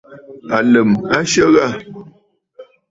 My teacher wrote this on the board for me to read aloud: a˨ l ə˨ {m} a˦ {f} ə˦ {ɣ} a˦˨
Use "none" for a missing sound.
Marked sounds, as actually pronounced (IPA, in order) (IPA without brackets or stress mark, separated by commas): m, ʃ, ɣ